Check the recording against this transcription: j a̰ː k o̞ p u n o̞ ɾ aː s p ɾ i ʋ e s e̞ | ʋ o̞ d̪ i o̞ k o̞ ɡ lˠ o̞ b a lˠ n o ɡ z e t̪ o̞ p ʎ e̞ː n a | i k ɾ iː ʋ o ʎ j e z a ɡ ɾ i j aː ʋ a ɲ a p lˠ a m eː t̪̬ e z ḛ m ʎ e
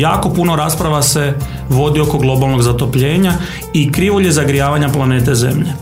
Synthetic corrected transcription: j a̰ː k o̞ p u n o̞ ɾ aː s p ɾ a ʋ a s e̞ | ʋ o̞ d̪ i o̞ k o̞ ɡ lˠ o̞ b a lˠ n o ɡ z a t̪ o̞ p ʎ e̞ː ɲ a | i k ɾ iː ʋ o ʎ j e z a ɡ ɾ i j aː ʋ a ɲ a p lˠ a n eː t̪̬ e z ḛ m ʎ e